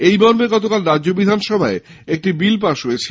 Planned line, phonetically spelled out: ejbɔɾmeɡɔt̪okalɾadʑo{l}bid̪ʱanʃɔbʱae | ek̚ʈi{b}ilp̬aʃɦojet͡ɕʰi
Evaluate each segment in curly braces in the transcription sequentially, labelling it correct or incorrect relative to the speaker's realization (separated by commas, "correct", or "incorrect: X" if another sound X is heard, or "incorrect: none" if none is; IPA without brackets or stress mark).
incorrect: none, correct